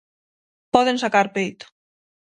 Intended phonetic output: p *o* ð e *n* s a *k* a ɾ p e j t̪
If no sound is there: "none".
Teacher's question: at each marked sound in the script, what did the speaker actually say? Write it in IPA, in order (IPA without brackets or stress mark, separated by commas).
ɔ, n, k